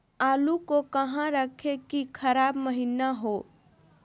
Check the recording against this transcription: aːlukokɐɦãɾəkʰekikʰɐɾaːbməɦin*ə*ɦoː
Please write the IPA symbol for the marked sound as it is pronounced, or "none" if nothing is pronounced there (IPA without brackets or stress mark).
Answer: a